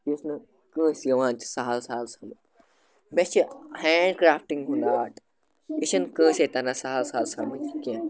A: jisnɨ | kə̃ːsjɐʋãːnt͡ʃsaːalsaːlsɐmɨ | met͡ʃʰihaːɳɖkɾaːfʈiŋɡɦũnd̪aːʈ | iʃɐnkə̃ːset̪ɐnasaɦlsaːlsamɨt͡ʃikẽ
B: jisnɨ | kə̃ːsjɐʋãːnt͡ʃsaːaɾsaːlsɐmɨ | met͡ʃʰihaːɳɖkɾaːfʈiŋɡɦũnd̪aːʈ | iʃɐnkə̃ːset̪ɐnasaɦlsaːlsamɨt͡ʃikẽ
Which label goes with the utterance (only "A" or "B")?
A